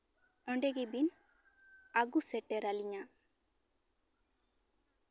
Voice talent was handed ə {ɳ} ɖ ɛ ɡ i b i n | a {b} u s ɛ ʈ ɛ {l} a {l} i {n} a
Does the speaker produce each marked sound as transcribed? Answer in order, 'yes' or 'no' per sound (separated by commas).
yes, no, no, yes, no